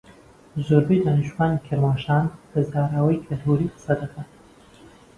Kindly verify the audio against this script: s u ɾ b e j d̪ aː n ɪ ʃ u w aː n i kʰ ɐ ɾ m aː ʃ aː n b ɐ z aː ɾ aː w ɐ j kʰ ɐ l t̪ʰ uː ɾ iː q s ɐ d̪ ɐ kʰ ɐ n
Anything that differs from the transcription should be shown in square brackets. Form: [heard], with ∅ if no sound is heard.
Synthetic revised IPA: [z] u ɾ b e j d̪ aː n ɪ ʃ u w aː n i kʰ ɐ ɾ m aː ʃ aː n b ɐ z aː ɾ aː w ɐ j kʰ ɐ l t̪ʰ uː ɾ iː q s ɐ d̪ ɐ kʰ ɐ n